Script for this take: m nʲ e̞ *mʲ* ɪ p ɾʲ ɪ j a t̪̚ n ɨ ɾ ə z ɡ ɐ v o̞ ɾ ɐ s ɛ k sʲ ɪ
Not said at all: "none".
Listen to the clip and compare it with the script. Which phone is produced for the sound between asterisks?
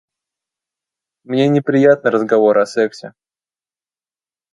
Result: nʲ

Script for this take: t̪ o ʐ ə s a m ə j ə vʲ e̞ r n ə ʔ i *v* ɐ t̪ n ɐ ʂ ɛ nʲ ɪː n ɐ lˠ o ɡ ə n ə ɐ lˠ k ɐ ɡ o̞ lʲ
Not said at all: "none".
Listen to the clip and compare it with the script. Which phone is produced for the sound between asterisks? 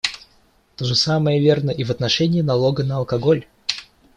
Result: v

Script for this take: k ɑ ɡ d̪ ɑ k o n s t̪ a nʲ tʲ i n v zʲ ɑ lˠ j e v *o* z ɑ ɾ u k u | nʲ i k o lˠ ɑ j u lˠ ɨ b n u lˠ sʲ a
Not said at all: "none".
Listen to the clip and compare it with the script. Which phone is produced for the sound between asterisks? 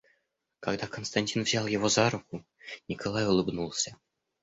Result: o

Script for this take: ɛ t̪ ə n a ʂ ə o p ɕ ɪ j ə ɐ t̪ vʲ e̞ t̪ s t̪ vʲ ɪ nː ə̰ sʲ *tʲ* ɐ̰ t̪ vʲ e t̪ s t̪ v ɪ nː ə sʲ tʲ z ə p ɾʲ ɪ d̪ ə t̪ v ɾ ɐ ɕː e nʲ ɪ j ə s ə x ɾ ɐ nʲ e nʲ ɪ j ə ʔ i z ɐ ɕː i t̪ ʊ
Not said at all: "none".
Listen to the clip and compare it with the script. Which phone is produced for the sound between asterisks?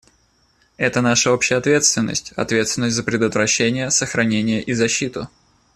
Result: tʲ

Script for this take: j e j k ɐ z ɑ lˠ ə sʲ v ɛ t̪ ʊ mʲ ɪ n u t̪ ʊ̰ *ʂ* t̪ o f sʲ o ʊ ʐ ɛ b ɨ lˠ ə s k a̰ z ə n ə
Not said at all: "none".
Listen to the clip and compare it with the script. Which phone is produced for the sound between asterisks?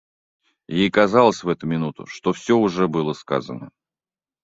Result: ʂ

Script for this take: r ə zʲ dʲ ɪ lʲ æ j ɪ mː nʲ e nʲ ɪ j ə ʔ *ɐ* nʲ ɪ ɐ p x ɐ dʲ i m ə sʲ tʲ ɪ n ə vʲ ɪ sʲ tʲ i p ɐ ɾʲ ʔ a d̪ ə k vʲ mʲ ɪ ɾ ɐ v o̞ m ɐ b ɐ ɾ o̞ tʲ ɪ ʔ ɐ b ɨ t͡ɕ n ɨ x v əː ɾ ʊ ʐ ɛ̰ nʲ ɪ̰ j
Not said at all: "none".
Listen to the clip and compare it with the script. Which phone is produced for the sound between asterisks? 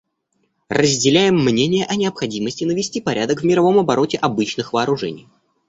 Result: ɐ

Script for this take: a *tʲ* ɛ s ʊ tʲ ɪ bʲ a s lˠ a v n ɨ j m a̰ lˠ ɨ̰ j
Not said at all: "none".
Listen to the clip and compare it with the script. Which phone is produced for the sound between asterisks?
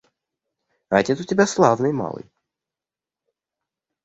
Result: tʲ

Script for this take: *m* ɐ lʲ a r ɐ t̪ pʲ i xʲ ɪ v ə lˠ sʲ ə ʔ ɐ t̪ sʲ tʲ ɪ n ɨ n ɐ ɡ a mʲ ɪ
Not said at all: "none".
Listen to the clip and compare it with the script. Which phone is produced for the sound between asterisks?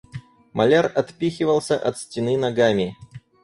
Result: m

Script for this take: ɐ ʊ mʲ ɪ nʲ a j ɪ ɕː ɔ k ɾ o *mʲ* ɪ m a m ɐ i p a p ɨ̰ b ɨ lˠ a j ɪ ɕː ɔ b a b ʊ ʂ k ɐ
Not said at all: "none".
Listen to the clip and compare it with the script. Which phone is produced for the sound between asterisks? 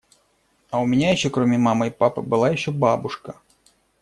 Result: mʲ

